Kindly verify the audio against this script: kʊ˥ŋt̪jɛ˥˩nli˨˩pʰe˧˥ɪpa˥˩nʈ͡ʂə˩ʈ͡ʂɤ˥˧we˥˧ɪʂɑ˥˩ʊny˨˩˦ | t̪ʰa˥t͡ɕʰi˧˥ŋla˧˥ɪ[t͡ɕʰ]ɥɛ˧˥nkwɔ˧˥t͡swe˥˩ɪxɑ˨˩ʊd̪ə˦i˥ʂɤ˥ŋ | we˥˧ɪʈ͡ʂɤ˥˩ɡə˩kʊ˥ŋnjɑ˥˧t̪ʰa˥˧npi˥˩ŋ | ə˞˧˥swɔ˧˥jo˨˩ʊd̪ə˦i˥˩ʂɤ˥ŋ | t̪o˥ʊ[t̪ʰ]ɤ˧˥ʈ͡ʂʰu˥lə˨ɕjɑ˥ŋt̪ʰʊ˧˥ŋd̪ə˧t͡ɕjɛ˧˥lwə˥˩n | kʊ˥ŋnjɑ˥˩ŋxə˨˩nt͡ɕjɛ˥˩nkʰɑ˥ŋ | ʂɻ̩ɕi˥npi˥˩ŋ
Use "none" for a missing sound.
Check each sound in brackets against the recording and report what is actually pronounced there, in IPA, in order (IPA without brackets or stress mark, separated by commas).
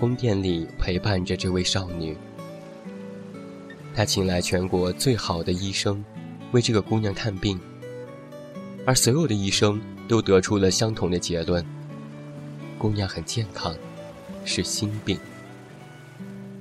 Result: t͡ɕʰ, t̪